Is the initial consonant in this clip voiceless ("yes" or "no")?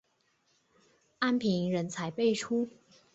no